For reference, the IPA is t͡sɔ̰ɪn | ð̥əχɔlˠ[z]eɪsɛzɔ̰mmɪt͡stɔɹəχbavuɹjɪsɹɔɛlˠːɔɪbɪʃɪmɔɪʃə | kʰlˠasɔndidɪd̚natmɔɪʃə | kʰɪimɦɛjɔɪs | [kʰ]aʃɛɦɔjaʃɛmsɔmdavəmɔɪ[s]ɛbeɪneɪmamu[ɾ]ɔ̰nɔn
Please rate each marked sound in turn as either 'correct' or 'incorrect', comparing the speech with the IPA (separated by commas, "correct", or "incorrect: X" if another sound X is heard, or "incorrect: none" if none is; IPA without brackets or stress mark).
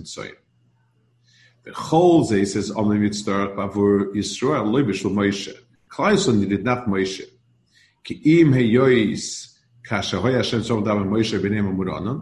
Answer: correct, correct, incorrect: ʃ, correct